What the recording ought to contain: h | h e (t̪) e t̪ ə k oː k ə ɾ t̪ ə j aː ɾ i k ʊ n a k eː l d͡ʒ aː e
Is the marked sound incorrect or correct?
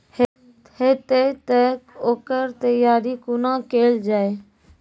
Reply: correct